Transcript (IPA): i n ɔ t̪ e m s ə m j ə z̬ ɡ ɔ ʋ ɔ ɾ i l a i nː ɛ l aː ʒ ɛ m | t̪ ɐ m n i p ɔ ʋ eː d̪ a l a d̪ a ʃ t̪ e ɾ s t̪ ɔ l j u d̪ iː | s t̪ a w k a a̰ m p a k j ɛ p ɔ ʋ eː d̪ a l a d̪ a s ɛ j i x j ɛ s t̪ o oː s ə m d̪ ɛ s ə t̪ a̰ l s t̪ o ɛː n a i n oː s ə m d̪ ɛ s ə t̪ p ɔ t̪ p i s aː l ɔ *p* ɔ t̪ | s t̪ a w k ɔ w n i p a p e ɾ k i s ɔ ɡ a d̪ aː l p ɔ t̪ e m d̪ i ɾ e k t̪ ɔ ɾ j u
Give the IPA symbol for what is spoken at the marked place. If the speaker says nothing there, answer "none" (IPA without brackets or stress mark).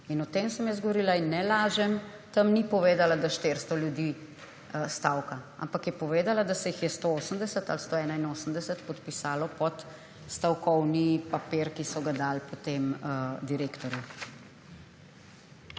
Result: p